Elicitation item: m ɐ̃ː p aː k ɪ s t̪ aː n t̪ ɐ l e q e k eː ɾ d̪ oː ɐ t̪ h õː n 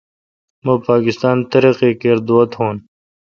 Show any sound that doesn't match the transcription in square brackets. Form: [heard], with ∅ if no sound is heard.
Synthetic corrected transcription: m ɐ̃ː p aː k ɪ s t̪ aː n t̪ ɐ [ɾ] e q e k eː ɾ d̪ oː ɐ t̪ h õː n